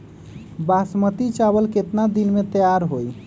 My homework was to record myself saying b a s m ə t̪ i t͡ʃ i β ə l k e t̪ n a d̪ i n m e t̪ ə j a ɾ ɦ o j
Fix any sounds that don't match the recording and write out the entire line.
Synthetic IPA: b a s m ə t̪ i t͡ʃ a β ə l k e t̪ n a d̪ i n m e t̪ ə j a ɾ ɦ o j